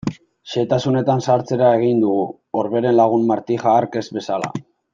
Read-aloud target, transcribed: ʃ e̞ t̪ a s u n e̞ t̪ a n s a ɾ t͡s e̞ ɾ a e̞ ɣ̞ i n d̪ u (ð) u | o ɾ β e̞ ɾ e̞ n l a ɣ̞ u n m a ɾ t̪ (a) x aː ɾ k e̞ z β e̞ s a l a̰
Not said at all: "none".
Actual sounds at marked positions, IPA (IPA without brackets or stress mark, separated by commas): ɣ, i